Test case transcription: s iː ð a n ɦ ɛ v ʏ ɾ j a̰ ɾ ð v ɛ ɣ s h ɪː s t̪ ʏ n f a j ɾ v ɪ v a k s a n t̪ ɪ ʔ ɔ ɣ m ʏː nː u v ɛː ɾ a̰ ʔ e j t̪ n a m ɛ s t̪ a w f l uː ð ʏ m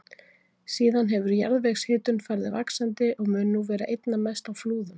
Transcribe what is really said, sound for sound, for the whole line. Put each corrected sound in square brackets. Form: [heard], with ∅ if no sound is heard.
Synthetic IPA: s iː ð a n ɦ ɛ v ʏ ɾ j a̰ ɾ ð v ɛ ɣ s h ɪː [∅] t̪ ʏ n f a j ɾ [ð] ɪ v a k s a n t̪ ɪ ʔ ɔ ɣ m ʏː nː u v ɛː ɾ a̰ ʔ e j t̪ n a m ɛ s t̪ a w f l uː ð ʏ m